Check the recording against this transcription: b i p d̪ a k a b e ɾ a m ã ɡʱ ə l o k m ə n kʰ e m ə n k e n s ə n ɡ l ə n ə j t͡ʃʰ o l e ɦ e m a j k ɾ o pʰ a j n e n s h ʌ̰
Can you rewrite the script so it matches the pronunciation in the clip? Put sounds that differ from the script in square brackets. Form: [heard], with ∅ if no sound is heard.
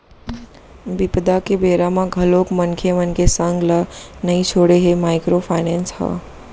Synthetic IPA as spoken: b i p d̪ a k [e] b e ɾ a m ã ɡʱ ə l o k m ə n kʰ e m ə n k e [∅] s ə [ŋ] ɡ l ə n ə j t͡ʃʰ o [ɽ] e ɦ e m a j k ɾ o pʰ a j n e n s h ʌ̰

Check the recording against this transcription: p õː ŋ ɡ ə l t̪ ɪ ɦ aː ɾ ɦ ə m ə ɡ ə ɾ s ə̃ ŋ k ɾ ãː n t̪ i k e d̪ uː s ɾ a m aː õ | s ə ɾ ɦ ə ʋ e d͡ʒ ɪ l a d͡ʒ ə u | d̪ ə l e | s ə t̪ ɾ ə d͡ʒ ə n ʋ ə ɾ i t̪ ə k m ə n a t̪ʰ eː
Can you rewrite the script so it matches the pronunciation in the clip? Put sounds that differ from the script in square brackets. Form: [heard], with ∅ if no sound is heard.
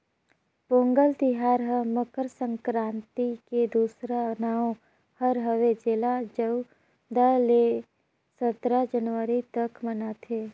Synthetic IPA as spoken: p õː ŋ ɡ ə l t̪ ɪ ɦ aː ɾ ɦ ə m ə [k] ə ɾ s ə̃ ŋ k ɾ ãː n t̪ i k e d̪ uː s ɾ a [n] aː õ | [h] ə ɾ ɦ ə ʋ e d͡ʒ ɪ l a d͡ʒ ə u | d̪ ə l e | s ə t̪ ɾ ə d͡ʒ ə n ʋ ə ɾ i t̪ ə k m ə n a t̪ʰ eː

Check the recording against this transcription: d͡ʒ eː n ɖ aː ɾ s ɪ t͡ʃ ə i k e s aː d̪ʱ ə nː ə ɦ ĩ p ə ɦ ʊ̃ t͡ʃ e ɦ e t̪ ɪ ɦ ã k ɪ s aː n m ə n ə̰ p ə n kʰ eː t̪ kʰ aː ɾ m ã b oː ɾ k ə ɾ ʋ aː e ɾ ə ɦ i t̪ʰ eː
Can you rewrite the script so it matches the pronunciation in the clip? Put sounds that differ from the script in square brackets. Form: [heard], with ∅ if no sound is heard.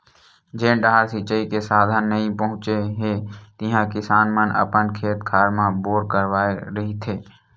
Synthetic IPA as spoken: d͡ʒ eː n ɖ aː ɾ s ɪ t͡ʃ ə i k e s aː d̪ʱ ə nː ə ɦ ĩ p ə ɦ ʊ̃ t͡ʃ e ɦ e t̪ ɪ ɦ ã k ɪ s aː n m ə n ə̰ p ə n kʰ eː t̪ kʰ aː ɾ m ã b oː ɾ k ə ɾ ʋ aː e ɾ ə ɦ i t̪ʰ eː

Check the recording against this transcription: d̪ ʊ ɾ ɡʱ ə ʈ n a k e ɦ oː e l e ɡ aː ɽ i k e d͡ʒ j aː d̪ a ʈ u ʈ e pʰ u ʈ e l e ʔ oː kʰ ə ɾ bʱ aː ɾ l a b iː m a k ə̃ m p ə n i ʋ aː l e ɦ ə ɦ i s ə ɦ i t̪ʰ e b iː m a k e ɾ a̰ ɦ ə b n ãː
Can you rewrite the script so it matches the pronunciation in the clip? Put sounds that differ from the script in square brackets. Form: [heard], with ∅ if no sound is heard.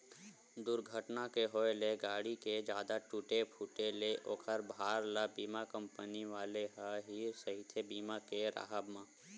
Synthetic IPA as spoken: d̪ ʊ ɾ ɡʱ ə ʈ n a k e ɦ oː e l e ɡ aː ɽ i k e d͡ʒ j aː d̪ a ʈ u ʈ e pʰ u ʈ e l e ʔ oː kʰ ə ɾ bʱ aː ɾ l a b iː m a k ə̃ m p ə n i ʋ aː l e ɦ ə ɦ i s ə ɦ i t̪ʰ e b iː m a k e ɾ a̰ ɦ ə b [m] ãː

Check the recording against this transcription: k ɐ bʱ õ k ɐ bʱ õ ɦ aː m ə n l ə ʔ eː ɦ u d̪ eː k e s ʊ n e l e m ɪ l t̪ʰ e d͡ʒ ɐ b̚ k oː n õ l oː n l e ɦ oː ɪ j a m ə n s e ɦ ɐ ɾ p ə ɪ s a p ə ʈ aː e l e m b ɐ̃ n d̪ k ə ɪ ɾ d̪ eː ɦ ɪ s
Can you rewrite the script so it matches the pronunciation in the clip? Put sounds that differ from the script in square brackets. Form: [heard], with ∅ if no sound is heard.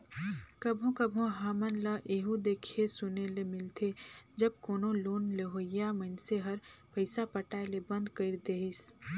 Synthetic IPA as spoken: k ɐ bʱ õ k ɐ bʱ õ ɦ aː m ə n l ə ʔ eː ɦ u d̪ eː [kʰ] e s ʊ n e l e m ɪ l t̪ʰ e d͡ʒ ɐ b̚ k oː n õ l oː n l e ɦ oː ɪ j a m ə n s e ɦ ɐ ɾ p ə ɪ s a p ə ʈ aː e l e [∅] b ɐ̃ n d̪ k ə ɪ ɾ d̪ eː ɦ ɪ s

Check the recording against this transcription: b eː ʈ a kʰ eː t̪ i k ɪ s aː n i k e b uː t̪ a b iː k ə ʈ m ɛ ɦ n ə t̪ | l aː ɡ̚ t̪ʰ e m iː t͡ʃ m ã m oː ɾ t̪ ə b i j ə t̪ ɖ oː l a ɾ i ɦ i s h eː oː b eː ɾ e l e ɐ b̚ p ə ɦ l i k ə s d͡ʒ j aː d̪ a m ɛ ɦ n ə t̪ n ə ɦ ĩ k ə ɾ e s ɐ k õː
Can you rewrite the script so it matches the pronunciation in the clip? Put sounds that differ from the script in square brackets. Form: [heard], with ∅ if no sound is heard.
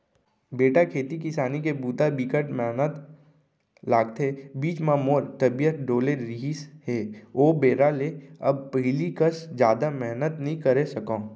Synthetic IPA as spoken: b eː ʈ a kʰ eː t̪ i k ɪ s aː n i k e b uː t̪ a b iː k ə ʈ m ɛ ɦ n ə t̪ | l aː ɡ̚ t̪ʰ e [b] iː t͡ʃ m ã m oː ɾ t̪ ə b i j ə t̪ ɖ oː l [e] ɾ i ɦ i s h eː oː b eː ɾ [a] l e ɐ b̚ p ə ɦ l i k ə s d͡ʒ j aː d̪ a m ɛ ɦ n ə t̪ n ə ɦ ĩ k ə ɾ e s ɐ k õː

